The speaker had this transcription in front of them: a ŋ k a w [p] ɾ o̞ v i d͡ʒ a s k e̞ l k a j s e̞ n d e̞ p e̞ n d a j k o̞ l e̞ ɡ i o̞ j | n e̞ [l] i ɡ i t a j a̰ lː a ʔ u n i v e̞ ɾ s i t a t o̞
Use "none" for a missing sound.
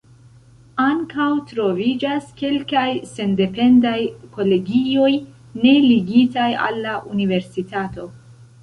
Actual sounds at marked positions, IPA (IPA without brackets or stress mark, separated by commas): t, l